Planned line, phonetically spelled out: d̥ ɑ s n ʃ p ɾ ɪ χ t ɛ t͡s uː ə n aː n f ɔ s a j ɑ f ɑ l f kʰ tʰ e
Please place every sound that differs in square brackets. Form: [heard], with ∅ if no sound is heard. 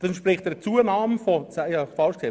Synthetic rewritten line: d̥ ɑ s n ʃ p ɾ ɪ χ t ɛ t͡s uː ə n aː [m] f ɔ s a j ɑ f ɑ l [ʃ] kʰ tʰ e